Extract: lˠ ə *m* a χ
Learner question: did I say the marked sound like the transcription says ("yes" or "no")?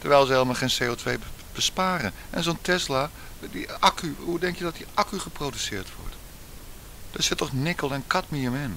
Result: yes